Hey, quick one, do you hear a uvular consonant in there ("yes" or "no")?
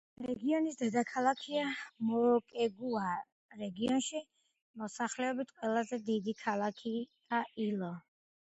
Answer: yes